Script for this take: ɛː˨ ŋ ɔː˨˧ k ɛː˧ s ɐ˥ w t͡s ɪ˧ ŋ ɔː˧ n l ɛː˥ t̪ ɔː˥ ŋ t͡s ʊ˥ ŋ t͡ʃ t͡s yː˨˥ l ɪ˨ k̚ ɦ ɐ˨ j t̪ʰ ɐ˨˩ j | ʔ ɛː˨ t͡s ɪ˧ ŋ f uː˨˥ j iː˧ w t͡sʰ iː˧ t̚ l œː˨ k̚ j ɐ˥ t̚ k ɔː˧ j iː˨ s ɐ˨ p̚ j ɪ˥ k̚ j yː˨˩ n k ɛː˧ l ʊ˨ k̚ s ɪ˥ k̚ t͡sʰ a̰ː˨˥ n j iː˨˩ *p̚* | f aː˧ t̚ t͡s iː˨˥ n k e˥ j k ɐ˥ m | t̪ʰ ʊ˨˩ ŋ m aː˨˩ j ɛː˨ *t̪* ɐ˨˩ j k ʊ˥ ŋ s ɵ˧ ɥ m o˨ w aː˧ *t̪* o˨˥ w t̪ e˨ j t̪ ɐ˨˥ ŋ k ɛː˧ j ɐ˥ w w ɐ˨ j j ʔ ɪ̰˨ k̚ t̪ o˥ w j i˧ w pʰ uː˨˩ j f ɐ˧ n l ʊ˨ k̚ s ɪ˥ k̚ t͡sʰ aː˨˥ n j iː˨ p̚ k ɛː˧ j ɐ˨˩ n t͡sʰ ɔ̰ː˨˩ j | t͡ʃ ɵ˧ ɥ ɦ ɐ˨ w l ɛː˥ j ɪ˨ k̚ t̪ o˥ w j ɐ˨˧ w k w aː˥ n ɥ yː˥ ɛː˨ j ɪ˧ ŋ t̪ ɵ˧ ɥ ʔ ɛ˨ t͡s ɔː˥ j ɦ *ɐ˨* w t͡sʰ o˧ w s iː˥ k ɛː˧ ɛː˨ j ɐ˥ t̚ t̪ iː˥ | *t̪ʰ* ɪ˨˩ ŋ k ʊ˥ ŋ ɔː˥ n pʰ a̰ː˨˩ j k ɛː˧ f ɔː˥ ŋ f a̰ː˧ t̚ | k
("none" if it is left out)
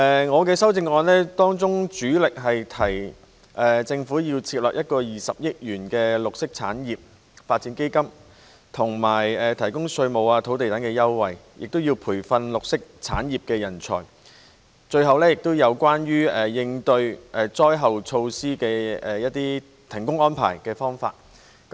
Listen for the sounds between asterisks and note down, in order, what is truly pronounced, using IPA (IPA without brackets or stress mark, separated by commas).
p̚, t̪ʰ, t̪ʰ, ɐ˨, t̪ʰ